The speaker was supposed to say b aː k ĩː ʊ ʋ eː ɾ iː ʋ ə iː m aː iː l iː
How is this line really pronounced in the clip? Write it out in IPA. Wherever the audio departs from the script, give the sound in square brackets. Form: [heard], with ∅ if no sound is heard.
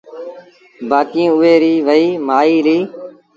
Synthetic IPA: b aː k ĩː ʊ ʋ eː ɾ iː ʋ ə iː m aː iː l iː